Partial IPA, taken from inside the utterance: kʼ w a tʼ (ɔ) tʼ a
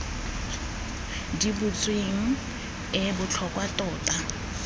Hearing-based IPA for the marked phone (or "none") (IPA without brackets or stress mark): ɔː